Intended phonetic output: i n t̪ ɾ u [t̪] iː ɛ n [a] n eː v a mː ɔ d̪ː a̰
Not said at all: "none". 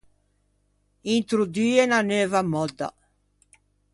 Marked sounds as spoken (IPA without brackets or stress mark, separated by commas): d̪, a